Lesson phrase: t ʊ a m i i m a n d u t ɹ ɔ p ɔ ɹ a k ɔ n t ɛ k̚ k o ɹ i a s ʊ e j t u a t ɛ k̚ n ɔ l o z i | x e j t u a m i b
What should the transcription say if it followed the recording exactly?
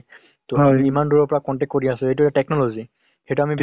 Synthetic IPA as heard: t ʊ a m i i m a n d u ɹ ɔ p ɔ ɹ a k ɔ n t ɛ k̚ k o ɹ i a s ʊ e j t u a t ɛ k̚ n ɔ l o z i | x e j t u a m i b